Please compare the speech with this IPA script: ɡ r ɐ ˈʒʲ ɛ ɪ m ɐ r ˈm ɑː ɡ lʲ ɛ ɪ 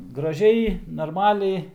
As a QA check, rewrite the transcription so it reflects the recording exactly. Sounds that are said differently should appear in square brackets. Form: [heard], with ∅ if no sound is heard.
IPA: ɡ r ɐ ˈʒʲ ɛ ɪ [n] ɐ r ˈm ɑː [∅] lʲ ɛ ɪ